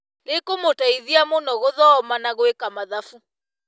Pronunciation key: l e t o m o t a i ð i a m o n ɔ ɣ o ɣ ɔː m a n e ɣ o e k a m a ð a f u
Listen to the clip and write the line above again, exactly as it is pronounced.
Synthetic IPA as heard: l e k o m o t a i ð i a m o n ɔ ɣ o ð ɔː m a n a ɣ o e k a m a ð a f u